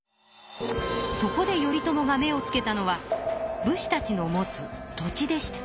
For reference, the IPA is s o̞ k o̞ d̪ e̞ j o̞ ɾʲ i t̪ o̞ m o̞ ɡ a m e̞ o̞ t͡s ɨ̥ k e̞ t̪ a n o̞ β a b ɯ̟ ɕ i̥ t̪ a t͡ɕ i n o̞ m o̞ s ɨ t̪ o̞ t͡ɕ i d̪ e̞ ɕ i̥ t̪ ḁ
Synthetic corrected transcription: s o̞ k o̞ d̪ e̞ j o̞ ɾʲ i t̪ o̞ m o̞ ɡ a m e̞ o̞ t͡s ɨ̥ k e̞ t̪ a n o̞ β a b ɯ̟ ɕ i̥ t̪ a t͡ɕ i n o̞ m o̞ t͡s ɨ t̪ o̞ t͡ɕ i d̪ e̞ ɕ i̥ t̪ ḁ

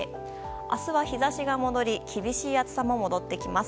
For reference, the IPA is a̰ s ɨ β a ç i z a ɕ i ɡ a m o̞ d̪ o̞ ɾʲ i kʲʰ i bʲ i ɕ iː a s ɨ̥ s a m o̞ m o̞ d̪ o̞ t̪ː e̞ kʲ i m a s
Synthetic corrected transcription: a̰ s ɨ β a ç i z a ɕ i ɡ a m o̞ d̪ o̞ ɾʲ i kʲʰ i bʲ i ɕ iː a t͡s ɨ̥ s a m o̞ m o̞ d̪ o̞ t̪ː e̞ kʲ i m a s

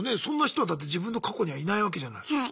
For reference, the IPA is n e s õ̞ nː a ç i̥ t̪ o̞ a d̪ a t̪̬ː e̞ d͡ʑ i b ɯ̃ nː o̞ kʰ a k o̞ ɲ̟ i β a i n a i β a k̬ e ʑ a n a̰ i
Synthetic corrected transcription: n e s õ̞ nː a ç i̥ t̪ o̞ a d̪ a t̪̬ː e̞ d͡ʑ i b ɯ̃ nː o̞ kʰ a k o̞ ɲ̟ i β a i n a i β a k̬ e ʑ a n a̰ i

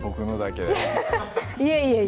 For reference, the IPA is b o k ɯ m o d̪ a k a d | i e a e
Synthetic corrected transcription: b o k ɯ n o d̪ a k e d | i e i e

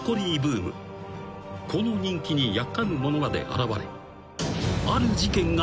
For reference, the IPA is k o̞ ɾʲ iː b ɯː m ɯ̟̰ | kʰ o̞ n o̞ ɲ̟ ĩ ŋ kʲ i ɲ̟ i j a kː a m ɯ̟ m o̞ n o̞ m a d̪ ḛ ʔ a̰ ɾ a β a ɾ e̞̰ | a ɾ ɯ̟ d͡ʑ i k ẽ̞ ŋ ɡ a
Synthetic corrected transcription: k o̞ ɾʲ iː b ɯː m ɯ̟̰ | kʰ o̞ n o̞ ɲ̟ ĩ ŋ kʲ i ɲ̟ i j a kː a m ɯ̟ m o̞ n o̞ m a d̪ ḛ ʔ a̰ ɾ a β a ɾ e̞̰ | a ɾ ɯ̟ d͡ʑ i k ẽ̞ ŋ ɡ a

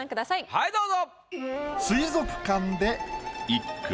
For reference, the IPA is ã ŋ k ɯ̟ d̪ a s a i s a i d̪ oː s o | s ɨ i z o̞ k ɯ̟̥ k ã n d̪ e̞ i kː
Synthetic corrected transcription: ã ŋ k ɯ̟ d̪ a s a i h a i d̪ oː z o | s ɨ i z o̞ k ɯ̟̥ k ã n d̪ e̞ i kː

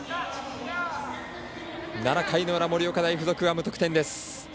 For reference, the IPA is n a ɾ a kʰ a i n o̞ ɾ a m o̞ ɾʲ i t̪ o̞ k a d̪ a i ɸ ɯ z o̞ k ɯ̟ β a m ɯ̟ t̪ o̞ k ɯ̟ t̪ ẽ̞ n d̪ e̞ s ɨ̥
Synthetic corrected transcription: n a ɾ a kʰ a i n o̞ ɾ a m o̞ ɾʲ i o̞ k a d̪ a i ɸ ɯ z o̞ k ɯ̟ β a m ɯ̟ t̪ o̞ k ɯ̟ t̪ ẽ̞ n d̪ e̞ s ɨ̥

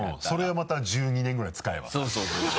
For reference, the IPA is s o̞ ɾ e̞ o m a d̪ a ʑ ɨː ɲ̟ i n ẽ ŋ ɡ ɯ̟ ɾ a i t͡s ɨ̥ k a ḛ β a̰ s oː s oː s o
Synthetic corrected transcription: s o̞ ɾ e̞ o m a t̪ a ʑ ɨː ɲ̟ i n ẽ ŋ ɡ ɯ̟ ɾ a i t͡s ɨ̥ k a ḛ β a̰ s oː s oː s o

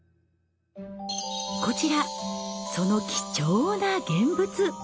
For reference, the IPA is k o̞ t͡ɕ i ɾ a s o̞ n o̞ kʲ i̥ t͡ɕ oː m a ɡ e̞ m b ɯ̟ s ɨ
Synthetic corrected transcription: k o̞ t͡ɕ i ɾ a s o̞ n o̞ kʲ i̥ t͡ɕ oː n a ɡ ẽ̞ m b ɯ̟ t͡s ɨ

